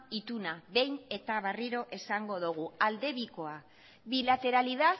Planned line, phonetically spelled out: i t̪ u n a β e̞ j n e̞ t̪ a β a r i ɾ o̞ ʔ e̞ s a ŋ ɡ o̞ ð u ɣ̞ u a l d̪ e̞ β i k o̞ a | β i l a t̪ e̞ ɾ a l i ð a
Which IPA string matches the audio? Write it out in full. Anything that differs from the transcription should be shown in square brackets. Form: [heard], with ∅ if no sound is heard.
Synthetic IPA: i t̪ u n a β e̞ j n e̞ t̪ a β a r i ɾ o̞ ʔ e̞ s a ŋ ɡ o̞ ð u ɣ̞ u a l d̪ e̞ β i k o̞ a | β i l a t̪ e̞ ɾ a l i ð a